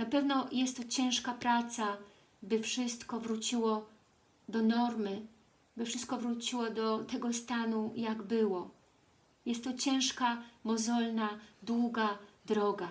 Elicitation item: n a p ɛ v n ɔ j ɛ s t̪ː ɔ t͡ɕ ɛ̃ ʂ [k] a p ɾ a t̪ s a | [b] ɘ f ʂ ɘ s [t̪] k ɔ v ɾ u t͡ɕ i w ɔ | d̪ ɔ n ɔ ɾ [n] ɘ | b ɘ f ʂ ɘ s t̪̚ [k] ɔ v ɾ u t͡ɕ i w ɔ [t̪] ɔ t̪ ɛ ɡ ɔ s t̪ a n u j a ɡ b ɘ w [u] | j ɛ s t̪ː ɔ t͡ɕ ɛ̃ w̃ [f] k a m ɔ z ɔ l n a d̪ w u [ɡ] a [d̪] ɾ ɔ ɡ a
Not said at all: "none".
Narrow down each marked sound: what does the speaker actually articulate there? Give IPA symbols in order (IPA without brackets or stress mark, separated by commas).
k, b, t̪, m, k, d̪, ɔ, ʂ, ɡ, d̪